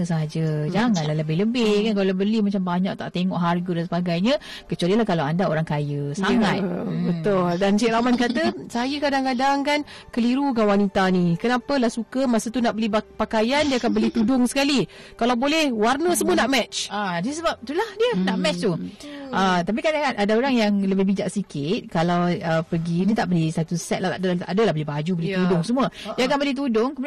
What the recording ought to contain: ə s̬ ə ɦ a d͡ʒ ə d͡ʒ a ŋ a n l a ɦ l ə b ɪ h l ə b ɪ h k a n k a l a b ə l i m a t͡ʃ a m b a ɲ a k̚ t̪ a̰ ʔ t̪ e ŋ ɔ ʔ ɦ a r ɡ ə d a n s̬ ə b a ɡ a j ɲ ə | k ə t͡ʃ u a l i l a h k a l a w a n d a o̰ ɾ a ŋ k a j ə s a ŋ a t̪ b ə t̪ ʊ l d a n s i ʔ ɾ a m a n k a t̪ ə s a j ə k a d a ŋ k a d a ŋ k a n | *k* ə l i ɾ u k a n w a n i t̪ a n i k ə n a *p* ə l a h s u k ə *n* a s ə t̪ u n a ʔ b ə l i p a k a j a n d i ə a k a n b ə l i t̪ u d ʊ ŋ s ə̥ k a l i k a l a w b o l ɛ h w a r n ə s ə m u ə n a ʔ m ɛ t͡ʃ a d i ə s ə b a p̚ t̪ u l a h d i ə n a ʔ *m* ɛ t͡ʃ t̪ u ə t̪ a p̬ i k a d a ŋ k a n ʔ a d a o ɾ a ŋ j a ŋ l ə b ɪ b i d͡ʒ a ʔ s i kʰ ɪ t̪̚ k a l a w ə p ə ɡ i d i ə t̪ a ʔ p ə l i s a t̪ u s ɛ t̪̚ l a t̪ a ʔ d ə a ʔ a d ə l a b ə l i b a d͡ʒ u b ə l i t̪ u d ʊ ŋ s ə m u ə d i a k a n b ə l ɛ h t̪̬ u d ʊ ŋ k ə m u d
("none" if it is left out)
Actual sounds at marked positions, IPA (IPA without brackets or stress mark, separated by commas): k, p, m, m